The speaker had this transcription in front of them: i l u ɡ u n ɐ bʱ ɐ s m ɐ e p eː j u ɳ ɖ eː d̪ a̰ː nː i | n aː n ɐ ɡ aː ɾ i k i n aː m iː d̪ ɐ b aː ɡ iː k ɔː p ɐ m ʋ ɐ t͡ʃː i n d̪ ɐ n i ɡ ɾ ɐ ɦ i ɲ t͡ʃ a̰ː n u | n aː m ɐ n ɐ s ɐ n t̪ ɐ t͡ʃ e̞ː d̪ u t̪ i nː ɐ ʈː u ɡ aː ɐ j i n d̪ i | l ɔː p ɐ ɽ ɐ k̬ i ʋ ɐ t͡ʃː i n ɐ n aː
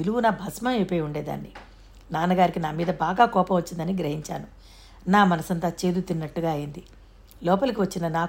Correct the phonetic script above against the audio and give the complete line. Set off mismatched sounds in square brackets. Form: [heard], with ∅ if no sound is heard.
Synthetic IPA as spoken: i l u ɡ u n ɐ bʱ ɐ s m ɐ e p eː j u ɳ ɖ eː d̪ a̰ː nː i | n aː n ɐ ɡ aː ɾ i k i n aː m iː d̪ ɐ b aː ɡ [aː] k ɔː p ɐ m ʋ ɐ t͡ʃː i n d̪ ɐ n i ɡ ɾ ɐ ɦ i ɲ t͡ʃ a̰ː n u | n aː m ɐ n ɐ s ɐ n t̪ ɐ t͡ʃ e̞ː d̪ u t̪ i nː ɐ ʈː u ɡ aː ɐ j i n d̪ i | l ɔː p ɐ [l] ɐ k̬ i ʋ ɐ t͡ʃː i n ɐ n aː